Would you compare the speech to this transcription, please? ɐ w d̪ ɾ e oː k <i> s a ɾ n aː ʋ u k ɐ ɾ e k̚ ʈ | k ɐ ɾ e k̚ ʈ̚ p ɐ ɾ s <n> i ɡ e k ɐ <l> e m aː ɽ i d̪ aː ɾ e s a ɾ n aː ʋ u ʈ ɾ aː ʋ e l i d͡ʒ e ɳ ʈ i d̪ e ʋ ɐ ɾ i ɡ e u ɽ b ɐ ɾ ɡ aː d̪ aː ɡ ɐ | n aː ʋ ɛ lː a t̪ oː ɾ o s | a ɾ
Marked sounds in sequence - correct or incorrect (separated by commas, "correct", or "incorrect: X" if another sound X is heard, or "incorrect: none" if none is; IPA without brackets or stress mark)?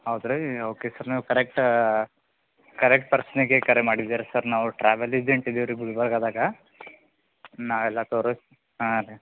incorrect: e, correct, incorrect: ɾ